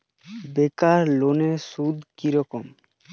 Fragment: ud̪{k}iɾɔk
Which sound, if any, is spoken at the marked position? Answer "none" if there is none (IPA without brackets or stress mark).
k